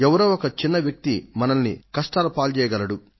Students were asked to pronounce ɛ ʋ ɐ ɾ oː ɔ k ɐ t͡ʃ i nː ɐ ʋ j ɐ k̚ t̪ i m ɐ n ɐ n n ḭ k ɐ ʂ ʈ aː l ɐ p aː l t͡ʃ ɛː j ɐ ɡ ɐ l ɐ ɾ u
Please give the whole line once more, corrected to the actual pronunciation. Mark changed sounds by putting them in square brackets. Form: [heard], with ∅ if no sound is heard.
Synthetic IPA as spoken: ɛ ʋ ɐ ɾ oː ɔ k ɐ t͡ʃ i nː ɐ ʋ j ɐ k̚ t̪ i m ɐ n ɐ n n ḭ k ɐ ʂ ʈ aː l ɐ p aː l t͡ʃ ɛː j ɐ ɡ ɐ l ɐ [ɽ] u